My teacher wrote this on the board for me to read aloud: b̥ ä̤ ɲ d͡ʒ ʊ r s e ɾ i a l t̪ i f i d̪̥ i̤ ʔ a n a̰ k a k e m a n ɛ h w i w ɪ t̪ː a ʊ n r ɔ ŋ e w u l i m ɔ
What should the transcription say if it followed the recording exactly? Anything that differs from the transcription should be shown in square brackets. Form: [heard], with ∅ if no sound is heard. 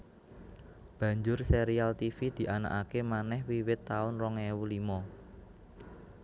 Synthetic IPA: b̥ ä̤ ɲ d͡ʒ ʊ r s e ɾ i a l t̪ i f i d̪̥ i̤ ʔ a n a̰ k a k e m a n ɛ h w i w ɪ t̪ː a ʊ n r ɔ ŋ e w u l i m ɔ